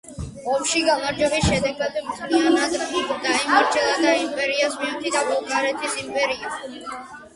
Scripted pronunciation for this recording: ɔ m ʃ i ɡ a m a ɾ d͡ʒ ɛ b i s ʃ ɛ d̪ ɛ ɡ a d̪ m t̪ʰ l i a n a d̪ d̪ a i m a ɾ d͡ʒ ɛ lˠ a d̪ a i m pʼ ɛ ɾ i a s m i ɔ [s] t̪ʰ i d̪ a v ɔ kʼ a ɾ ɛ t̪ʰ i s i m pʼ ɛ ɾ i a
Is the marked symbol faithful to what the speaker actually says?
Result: no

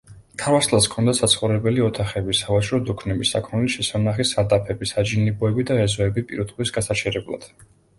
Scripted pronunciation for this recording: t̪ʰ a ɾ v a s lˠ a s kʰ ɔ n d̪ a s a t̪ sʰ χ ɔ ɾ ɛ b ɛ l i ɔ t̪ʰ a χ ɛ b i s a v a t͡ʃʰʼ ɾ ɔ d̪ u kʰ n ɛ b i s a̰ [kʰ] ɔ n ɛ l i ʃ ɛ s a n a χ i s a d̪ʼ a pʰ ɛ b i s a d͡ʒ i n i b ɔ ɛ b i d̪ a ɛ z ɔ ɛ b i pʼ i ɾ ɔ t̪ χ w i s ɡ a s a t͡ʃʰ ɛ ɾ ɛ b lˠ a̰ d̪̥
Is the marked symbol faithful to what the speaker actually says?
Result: yes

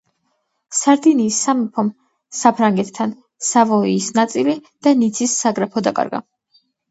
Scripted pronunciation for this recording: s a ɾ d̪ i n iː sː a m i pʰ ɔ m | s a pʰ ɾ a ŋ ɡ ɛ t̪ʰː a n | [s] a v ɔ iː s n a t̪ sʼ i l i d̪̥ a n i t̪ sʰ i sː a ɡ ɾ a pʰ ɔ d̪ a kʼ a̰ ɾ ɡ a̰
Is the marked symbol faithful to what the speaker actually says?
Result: yes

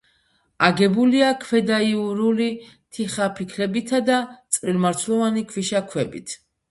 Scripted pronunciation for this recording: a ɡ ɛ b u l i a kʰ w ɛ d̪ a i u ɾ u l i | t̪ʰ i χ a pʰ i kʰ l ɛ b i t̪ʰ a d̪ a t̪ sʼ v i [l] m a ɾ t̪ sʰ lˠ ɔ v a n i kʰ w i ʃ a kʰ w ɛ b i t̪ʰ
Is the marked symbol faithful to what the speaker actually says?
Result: yes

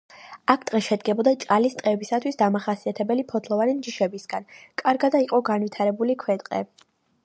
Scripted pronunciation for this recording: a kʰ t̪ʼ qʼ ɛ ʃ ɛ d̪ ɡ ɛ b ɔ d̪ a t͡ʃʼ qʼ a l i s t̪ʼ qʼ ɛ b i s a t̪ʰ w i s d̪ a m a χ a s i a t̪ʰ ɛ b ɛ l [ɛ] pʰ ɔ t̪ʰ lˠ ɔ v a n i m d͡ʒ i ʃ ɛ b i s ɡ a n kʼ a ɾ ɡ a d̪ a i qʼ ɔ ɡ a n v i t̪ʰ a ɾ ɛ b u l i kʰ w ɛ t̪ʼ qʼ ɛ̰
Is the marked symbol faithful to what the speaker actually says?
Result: no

